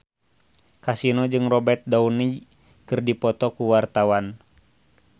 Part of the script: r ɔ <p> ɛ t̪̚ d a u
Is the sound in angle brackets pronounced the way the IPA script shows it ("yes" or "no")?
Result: no